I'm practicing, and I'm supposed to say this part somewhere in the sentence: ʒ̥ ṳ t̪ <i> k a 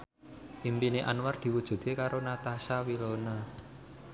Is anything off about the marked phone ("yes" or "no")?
yes